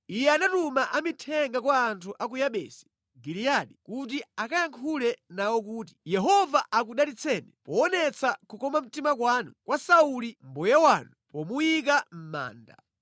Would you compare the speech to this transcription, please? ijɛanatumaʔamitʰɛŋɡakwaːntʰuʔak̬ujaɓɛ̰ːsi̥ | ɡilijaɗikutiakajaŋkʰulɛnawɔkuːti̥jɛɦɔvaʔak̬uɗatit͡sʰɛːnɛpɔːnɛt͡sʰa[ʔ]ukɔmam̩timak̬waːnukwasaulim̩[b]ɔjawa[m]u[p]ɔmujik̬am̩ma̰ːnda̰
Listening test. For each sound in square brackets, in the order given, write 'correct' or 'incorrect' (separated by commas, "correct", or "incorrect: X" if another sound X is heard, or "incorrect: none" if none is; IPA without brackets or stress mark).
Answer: incorrect: k, correct, incorrect: n, correct